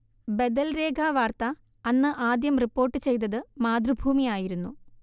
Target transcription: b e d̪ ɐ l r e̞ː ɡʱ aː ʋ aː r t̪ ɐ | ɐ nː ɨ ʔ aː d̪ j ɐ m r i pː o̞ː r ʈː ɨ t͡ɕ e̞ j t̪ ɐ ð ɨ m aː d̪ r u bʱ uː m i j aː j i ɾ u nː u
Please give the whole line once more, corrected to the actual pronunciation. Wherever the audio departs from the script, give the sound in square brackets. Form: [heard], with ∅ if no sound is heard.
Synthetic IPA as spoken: b e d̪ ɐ l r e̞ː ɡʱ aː ʋ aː r t̪ ɐ | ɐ nː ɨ ʔ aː d̪ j ɐ m r i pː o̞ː r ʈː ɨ t͡ɕ e̞ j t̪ ɐ ð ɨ m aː d̪ r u bʱ uː m i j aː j i ɾ u nː u